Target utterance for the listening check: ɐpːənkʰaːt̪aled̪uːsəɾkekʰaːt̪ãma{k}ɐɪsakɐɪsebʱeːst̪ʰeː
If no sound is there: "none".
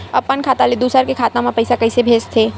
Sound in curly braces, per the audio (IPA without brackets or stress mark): p